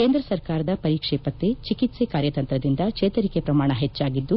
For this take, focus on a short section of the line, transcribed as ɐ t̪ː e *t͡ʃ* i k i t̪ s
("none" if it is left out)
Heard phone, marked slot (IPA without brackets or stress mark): t͡ʃ